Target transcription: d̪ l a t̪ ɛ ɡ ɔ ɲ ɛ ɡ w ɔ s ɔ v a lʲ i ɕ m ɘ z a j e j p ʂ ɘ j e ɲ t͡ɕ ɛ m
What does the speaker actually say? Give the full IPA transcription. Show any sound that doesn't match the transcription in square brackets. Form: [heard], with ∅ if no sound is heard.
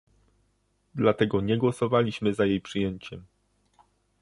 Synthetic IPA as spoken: d̪ l a t̪ ɛ ɡ ɔ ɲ ɛ ɡ w ɔ s ɔ v a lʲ i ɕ m ɘ z a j e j p ʂ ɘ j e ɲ t͡ɕ ɛ m